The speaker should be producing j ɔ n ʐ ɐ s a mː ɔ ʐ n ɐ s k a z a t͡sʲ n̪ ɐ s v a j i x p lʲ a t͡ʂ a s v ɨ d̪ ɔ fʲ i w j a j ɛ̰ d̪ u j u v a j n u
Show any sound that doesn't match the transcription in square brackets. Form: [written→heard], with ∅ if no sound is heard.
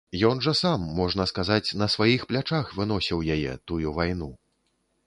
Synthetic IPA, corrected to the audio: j ɔ n ʐ ɐ s a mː ɔ ʐ n ɐ s k a z a t͡sʲ n̪ ɐ s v a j i x p lʲ a t͡ʂ a [s→x] v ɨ [d̪→n̪] ɔ [fʲ→sʲ] i w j a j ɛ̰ [d̪→t̪] u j u v a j n u